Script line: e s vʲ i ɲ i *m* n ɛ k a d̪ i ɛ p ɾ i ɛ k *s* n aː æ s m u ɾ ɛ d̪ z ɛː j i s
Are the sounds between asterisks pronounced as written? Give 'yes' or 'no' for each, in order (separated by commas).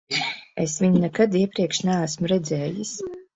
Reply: no, no